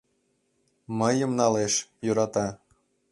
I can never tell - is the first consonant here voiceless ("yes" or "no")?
no